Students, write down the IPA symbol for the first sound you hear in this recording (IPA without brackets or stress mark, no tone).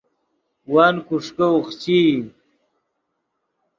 w